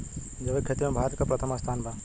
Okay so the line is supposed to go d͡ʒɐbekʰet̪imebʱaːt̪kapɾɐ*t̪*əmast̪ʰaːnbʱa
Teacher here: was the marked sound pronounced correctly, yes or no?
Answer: no